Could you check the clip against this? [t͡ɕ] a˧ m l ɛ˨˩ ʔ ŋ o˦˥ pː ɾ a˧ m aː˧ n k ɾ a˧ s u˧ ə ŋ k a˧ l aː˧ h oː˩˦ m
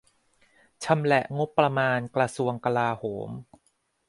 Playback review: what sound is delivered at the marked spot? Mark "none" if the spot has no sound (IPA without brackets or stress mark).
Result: t͡ɕʰ